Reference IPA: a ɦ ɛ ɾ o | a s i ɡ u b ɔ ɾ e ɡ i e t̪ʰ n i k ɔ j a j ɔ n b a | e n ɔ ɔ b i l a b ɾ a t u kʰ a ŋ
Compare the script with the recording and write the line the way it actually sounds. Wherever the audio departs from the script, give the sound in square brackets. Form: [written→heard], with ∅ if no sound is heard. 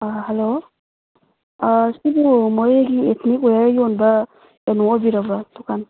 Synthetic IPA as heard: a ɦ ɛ [ɾ→l] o | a s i [ɡ→b] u [b→m] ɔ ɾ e ɡ i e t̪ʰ n i k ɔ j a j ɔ n b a | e n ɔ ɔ b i [l→ɾ] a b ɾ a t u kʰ a [ŋ→n]